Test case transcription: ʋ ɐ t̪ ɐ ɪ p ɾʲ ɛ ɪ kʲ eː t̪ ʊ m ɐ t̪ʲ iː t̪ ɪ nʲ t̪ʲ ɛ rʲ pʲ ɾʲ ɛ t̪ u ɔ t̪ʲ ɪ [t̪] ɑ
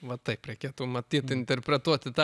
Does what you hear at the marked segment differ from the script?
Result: no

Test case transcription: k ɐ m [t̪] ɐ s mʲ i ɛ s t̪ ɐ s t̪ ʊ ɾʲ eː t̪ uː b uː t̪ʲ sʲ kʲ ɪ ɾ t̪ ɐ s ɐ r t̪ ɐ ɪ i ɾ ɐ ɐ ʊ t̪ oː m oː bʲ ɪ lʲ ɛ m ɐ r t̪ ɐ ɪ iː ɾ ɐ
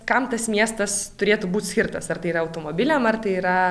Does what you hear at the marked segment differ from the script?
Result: no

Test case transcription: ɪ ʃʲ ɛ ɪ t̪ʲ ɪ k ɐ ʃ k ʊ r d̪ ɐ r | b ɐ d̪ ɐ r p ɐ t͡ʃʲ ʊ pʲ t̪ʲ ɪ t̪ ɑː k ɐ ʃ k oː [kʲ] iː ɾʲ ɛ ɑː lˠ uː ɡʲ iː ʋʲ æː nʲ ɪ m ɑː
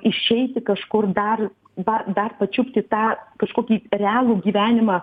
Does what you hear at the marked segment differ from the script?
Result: no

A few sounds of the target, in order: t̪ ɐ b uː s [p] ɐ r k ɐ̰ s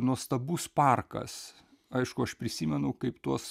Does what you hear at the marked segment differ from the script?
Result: no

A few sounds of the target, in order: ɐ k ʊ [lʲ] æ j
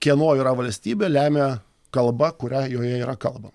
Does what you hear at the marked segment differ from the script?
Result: yes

